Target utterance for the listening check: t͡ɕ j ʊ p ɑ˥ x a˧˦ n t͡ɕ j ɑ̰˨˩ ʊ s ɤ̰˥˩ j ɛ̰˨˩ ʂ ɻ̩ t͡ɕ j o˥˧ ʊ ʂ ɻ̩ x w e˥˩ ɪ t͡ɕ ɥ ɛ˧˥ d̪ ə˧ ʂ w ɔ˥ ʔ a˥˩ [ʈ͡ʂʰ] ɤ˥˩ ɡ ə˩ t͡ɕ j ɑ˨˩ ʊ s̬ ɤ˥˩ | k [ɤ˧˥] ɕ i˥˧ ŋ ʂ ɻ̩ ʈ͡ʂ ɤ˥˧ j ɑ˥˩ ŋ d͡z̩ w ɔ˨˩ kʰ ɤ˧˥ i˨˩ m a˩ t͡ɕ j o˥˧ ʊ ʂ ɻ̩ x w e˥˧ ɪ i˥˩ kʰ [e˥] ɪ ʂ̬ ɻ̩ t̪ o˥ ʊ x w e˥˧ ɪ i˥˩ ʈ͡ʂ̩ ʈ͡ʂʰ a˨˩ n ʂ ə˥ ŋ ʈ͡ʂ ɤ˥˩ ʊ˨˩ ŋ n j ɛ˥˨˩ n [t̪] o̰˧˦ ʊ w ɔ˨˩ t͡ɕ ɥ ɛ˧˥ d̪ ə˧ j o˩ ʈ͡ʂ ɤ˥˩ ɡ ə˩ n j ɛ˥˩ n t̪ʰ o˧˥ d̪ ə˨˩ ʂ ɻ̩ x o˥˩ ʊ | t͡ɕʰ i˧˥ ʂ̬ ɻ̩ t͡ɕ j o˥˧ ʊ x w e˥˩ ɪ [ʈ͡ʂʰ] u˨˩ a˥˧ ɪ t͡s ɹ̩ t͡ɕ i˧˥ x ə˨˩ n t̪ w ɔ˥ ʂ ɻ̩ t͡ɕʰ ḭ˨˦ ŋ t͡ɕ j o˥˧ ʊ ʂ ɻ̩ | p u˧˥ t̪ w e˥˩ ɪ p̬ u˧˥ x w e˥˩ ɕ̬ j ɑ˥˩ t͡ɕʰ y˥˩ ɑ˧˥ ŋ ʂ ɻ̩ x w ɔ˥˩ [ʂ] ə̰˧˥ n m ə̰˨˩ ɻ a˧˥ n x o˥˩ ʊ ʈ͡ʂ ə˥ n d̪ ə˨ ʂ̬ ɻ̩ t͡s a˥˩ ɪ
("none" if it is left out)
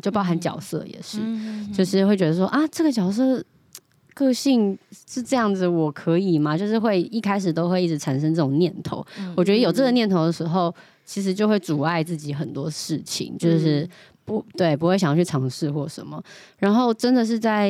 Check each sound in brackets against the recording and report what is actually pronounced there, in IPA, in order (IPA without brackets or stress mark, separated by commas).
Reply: ʈ͡ʂ, ɤ˥˧, a˥, t̪ʰ, ʈ͡ʂ, ʂ